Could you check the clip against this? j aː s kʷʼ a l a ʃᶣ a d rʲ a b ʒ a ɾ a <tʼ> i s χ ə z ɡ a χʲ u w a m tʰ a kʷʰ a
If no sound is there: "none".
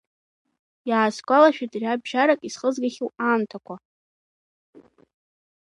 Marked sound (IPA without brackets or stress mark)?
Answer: kʼ